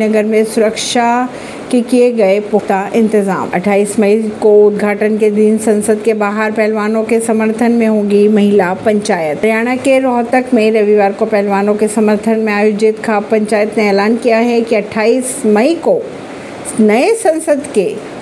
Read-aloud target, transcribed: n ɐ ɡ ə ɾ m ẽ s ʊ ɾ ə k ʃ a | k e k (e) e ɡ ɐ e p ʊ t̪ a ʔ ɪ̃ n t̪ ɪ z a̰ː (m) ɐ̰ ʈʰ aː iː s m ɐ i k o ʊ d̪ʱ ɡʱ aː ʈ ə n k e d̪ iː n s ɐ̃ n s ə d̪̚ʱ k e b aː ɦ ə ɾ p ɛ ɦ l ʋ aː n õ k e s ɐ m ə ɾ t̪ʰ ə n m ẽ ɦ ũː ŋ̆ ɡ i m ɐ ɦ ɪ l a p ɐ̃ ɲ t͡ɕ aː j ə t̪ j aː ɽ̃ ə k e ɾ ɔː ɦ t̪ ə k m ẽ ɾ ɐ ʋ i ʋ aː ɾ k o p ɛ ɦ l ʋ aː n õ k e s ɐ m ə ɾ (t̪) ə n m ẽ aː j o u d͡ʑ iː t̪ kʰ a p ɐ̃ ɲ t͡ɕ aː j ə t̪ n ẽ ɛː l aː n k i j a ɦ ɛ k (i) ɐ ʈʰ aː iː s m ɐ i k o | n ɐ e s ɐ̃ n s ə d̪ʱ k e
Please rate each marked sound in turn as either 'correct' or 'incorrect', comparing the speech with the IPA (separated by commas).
incorrect, correct, incorrect, correct